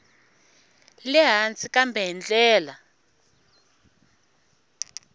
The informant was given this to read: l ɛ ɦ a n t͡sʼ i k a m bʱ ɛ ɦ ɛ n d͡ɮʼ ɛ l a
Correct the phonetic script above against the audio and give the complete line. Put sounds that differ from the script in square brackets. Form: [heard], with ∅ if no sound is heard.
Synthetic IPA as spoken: l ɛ ɦ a n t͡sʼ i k a m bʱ ɛ ɦ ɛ n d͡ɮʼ [ɛː] l a